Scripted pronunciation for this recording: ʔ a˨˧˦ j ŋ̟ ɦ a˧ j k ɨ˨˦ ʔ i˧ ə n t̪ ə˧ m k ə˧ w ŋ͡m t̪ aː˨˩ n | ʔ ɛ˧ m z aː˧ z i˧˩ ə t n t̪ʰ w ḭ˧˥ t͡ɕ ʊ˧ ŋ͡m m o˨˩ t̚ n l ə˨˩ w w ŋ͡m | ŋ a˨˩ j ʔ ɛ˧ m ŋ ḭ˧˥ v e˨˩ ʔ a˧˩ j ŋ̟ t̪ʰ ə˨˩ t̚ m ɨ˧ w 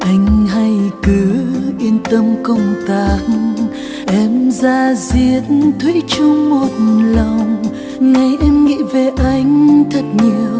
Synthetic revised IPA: ʔ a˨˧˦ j ŋ̟ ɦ a˧ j k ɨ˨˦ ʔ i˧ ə n t̪ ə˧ m k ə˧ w ŋ͡m t̪ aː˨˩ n | ʔ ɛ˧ m z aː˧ z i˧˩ ə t n t̪ʰ w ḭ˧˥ t͡ɕ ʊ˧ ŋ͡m m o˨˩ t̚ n l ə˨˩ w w ŋ͡m | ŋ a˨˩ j ʔ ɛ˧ m ŋ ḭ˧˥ v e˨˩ ʔ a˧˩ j ŋ̟ t̪ʰ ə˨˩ t̚ ɲ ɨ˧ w